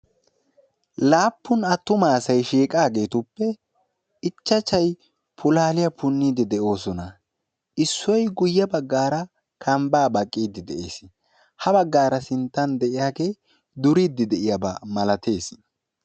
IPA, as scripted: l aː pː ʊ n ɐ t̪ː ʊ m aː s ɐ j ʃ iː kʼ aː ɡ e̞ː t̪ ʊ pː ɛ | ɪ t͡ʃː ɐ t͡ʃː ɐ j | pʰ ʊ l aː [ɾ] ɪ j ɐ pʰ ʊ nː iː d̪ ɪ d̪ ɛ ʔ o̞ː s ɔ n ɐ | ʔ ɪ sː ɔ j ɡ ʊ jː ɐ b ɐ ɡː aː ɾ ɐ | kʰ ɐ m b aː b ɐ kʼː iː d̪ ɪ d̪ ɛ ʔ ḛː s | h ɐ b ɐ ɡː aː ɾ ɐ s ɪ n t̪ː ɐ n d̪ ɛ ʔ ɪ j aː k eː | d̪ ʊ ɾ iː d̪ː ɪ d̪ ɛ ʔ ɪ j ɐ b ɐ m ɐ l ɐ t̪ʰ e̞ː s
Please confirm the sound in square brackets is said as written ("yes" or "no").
no